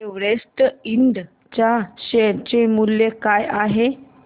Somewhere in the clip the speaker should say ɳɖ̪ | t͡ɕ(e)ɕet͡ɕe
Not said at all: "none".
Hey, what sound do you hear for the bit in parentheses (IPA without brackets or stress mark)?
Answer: a